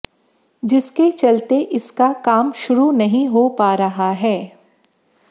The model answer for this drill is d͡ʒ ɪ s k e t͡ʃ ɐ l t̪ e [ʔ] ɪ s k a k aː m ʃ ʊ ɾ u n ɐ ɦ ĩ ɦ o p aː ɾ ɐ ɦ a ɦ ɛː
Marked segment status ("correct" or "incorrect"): correct